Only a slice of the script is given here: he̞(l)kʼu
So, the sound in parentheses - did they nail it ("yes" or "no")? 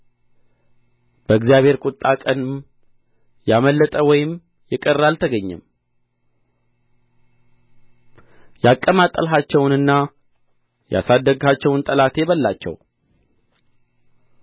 no